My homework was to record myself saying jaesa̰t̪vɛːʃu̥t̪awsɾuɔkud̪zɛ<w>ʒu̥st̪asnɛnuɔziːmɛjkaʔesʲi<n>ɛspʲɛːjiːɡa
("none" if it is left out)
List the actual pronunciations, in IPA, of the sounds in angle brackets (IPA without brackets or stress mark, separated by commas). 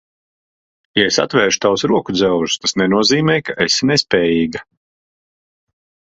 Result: w, n